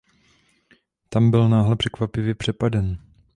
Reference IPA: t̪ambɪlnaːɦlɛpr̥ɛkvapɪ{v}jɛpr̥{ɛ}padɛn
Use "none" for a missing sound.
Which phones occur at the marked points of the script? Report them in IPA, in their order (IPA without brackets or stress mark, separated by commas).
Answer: v, ɛ